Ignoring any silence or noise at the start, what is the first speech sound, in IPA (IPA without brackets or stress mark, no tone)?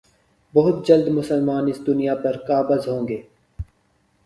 b